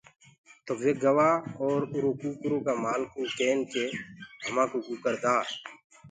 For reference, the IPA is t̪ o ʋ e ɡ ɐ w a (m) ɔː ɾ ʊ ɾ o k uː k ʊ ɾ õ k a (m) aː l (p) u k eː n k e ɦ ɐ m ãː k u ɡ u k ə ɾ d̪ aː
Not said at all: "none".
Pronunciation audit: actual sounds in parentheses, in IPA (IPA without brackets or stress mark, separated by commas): none, m, k